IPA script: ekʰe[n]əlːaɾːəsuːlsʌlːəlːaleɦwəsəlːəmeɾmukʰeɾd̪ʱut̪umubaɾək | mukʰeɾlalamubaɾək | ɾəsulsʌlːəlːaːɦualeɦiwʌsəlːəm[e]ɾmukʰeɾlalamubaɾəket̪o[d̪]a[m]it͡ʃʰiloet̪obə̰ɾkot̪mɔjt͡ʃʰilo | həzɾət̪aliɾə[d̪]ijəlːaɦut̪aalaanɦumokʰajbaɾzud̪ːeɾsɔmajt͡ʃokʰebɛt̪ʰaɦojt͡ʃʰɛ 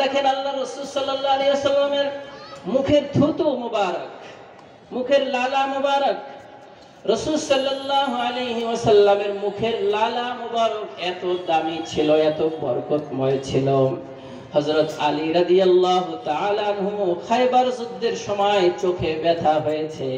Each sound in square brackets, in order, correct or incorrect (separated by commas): correct, correct, correct, correct, correct